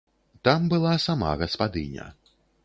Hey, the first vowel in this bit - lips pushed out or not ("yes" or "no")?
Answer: no